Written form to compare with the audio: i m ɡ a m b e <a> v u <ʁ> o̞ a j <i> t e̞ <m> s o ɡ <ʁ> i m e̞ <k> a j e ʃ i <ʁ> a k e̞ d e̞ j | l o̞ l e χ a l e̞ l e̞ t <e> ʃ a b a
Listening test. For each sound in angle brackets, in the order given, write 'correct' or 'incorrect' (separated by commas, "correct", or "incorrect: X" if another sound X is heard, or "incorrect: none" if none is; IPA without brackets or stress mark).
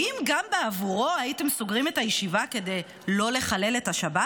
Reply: correct, correct, correct, correct, correct, incorrect: t, incorrect: v, incorrect: a